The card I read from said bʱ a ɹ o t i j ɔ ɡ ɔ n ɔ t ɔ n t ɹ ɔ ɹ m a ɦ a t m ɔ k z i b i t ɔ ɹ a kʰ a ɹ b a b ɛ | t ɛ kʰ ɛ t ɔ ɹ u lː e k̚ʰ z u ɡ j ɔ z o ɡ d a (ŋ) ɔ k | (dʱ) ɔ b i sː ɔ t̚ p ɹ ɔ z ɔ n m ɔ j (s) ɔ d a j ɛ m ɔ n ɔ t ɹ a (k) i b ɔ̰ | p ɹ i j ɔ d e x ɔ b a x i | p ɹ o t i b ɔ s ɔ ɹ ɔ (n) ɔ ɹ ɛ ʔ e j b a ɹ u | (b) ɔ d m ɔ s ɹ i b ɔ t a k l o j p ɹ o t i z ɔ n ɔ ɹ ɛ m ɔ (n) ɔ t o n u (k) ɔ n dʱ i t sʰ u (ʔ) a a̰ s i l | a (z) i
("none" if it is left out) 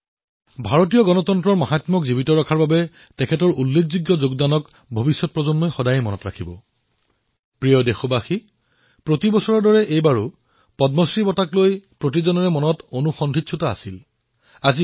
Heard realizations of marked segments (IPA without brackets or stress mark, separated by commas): n, bʱ, x, kʰ, d, p, n, x, t, z